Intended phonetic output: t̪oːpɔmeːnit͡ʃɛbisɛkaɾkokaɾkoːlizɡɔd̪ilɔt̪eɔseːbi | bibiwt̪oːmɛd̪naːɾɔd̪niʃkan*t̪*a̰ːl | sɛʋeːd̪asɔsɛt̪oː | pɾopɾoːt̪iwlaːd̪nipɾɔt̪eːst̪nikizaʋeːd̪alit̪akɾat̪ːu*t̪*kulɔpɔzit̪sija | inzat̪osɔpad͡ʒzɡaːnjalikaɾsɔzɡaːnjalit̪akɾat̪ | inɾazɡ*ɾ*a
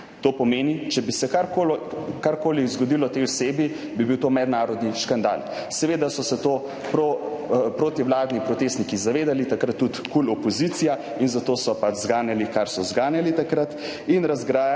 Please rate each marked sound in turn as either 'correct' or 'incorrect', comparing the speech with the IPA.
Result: incorrect, correct, correct

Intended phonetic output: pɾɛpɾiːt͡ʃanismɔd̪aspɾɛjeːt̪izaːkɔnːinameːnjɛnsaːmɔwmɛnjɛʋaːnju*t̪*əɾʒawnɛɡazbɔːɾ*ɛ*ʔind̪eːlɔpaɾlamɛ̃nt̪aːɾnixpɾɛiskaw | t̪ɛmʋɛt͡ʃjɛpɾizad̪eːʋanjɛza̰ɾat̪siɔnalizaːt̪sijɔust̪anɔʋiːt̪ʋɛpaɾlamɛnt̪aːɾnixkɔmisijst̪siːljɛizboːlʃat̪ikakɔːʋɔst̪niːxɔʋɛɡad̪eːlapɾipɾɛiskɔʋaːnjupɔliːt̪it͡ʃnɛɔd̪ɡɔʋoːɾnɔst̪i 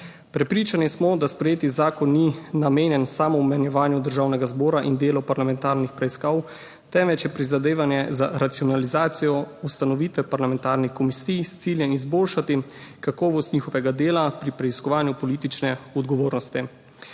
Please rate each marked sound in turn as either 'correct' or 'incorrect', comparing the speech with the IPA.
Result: incorrect, incorrect

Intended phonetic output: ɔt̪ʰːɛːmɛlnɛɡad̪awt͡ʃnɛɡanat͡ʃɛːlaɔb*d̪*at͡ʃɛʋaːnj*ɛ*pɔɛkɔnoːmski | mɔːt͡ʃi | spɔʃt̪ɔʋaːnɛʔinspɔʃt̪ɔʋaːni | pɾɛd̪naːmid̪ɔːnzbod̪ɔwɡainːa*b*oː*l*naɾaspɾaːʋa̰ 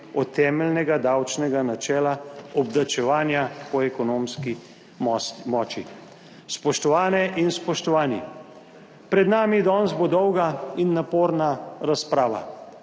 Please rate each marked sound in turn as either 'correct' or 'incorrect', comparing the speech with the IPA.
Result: correct, incorrect, incorrect, incorrect

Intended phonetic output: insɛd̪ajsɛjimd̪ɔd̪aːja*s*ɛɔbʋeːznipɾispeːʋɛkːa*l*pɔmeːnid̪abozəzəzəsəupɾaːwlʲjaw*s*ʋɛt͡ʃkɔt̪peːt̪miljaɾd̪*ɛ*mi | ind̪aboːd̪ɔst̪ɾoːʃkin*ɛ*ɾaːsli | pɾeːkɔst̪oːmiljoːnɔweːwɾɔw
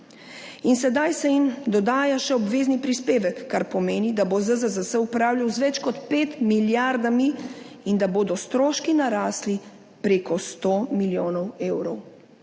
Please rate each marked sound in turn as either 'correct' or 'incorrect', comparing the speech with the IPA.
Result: incorrect, incorrect, incorrect, incorrect, incorrect

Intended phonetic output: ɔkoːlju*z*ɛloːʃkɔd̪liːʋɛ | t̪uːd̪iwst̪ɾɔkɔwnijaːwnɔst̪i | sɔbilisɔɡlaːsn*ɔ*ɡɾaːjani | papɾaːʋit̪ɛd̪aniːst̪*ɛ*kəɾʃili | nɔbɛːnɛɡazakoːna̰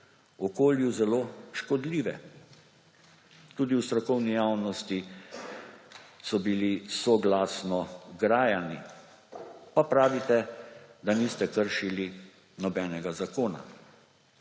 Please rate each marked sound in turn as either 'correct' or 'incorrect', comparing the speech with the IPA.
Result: correct, correct, correct

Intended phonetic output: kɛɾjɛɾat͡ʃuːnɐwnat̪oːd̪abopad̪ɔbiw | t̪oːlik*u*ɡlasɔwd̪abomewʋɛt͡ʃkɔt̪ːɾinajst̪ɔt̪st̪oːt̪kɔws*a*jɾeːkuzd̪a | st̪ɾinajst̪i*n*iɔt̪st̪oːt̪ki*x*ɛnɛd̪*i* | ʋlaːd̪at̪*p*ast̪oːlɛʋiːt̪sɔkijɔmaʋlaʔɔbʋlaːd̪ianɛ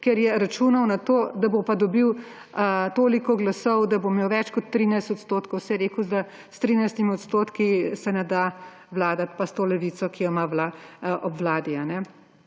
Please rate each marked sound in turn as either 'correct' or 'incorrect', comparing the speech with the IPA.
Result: incorrect, incorrect, incorrect, incorrect, incorrect, correct

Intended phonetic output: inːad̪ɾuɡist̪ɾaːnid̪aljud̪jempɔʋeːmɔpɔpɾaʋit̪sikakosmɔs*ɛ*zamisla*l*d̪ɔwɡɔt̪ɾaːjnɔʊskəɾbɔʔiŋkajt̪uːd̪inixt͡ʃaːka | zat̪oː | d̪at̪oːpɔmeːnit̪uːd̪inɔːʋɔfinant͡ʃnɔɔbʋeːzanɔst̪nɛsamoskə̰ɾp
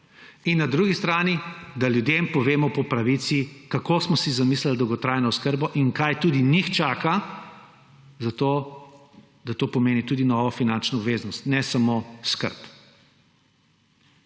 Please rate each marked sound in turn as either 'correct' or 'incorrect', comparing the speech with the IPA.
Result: incorrect, correct

